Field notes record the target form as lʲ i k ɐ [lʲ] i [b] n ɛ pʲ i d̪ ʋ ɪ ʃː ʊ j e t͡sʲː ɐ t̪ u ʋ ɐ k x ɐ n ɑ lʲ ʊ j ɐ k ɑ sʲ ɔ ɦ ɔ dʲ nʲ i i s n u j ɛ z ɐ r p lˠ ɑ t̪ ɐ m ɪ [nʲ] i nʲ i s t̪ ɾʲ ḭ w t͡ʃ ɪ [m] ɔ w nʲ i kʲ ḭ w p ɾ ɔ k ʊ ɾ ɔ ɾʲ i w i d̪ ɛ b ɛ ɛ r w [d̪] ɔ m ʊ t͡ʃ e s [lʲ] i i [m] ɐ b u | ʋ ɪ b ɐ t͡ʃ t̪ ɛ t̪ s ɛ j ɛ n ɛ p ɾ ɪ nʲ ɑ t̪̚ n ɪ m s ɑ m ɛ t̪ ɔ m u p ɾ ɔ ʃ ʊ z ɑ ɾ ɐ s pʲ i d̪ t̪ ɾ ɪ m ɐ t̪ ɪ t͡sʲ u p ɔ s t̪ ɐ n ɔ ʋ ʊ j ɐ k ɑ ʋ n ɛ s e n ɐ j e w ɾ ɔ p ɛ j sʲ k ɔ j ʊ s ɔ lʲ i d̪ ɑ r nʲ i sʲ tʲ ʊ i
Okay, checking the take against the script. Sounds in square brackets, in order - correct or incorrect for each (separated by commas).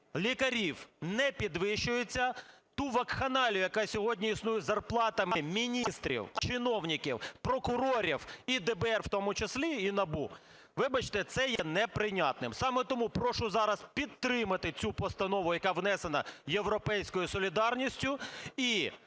incorrect, incorrect, incorrect, incorrect, incorrect, correct, incorrect